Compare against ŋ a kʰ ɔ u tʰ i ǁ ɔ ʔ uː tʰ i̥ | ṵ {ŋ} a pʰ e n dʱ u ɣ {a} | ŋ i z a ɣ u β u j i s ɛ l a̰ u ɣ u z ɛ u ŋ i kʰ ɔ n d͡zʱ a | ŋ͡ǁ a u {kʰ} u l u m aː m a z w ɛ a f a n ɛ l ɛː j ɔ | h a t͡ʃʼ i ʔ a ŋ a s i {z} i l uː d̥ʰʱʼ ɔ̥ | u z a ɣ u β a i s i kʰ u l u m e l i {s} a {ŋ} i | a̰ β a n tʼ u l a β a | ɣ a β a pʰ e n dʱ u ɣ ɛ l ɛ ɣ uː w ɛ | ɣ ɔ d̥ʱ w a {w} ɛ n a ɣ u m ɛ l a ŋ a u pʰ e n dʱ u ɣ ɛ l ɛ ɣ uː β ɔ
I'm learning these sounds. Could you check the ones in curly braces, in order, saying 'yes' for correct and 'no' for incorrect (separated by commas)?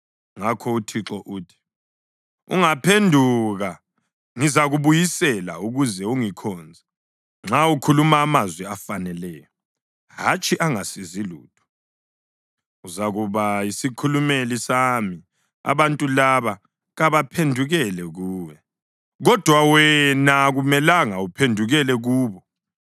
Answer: yes, yes, yes, yes, yes, no, yes